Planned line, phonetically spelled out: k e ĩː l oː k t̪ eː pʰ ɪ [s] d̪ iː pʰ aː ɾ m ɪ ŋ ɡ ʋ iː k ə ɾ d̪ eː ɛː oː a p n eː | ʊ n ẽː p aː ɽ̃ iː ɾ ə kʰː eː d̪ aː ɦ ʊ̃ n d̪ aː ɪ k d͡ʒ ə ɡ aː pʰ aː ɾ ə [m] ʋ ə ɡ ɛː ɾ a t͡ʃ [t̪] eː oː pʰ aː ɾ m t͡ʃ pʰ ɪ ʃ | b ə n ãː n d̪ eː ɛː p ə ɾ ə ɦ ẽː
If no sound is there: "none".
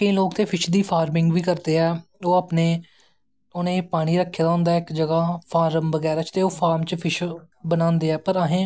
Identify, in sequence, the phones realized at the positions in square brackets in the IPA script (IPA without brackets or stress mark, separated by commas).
ʃ, m, t̪